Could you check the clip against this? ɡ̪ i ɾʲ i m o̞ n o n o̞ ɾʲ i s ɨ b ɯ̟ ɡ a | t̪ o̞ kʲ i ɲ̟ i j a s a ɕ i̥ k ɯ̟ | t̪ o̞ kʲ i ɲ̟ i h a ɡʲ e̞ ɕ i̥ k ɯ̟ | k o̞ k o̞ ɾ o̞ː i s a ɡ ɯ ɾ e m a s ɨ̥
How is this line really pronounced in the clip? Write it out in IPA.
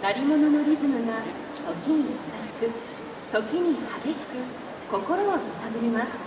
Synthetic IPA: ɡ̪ a ɾʲ i m o̞ n o n o̞ ɾʲ i z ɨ m ɯ̟ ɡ a | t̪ o̞ kʲ i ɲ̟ i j a s a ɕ i̥ k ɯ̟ | t̪ o̞ kʲ i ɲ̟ i h a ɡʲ e̞ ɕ i̥ k ɯ̟ | k o̞ k o̞ ɾ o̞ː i s a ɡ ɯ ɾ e m a s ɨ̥